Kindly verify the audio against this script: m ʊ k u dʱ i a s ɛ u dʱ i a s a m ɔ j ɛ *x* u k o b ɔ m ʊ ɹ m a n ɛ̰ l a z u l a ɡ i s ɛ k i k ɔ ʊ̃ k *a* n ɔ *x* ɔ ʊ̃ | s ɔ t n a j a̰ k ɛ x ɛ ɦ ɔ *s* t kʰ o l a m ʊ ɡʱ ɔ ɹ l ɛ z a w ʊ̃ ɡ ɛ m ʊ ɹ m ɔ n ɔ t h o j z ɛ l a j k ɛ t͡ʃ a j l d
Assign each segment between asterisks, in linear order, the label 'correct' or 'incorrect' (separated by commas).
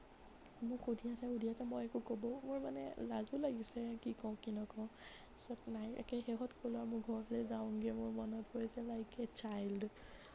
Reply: incorrect, incorrect, incorrect, incorrect